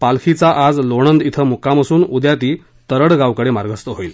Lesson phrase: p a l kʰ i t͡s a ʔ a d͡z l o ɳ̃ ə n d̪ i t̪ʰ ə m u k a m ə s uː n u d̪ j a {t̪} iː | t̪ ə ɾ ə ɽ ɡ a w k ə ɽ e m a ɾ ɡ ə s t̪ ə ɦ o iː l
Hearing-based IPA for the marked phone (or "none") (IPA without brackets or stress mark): t̪